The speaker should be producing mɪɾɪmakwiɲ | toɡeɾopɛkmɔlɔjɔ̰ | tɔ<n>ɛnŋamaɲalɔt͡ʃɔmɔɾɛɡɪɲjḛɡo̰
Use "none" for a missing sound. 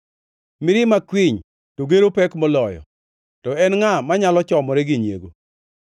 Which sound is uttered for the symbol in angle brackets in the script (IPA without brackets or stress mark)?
none